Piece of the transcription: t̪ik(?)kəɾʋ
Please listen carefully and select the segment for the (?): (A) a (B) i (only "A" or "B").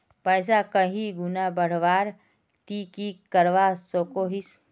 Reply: B